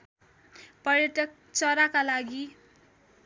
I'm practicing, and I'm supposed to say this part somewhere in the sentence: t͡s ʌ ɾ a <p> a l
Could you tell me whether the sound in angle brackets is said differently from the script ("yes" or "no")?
yes